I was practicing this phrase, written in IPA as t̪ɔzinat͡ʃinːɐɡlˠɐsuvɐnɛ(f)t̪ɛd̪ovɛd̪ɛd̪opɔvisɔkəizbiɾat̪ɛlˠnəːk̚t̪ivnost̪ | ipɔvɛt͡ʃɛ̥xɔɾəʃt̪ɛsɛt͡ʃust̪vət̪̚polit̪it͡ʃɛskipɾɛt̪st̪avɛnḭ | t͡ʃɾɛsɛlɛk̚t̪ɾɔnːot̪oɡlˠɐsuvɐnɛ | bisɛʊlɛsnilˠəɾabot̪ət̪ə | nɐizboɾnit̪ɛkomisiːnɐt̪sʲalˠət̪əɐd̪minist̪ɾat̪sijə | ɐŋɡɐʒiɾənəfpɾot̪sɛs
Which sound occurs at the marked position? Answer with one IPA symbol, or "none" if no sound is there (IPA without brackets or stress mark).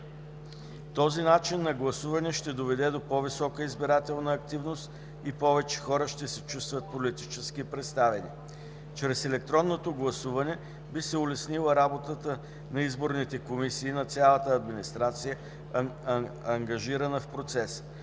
ʃ